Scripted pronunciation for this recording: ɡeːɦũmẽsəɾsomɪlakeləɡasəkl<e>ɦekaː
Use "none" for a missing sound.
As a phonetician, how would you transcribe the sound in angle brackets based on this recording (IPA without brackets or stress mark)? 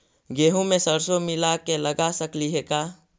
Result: i